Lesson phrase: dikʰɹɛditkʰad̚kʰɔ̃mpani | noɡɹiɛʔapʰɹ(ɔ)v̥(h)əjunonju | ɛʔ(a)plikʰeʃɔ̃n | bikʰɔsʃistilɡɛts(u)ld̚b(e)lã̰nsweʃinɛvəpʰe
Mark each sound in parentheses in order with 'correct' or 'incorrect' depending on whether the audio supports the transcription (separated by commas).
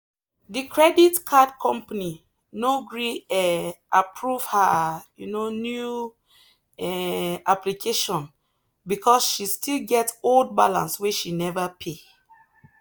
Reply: incorrect, correct, correct, incorrect, incorrect